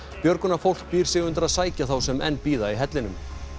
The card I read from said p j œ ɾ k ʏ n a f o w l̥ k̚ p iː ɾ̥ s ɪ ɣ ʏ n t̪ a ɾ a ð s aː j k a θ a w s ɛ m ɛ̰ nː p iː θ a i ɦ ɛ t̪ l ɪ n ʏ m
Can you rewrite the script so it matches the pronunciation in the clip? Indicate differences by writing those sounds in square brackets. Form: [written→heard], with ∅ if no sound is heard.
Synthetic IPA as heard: p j œ ɾ k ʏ n a f o w l̥ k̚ p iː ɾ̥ s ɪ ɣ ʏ n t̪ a ɾ a ð s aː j [k→c] a θ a w s ɛ m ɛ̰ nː p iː [θ→ð] a i ɦ ɛ t̪ l ɪ n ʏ m